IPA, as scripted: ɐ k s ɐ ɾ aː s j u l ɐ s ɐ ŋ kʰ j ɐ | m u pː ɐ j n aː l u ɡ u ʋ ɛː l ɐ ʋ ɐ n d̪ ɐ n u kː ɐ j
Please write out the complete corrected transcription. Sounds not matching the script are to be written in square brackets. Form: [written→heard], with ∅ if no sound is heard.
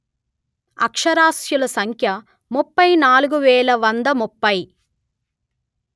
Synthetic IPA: ɐ k [s→ʂ] ɐ ɾ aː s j u l ɐ s ɐ ŋ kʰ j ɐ | m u pː ɐ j n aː l u ɡ u ʋ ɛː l ɐ ʋ ɐ n d̪ ɐ [n→m] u [kː→pː] ɐ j